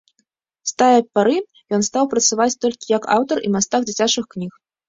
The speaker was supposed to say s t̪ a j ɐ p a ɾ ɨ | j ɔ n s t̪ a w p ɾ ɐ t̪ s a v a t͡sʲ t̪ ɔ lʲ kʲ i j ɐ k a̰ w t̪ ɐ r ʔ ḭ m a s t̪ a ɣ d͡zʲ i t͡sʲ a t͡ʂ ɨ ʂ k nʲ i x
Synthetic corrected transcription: s t̪ a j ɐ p a ɾ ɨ | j ɔ n s t̪ a w p ɾ ɐ t̪ s a v a t͡sʲ t̪ ɔ lʲ kʲ i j ɐ k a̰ w t̪ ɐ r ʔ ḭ m a s t̪ a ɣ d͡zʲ i t͡sʲ a t͡ʂ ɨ x k nʲ i x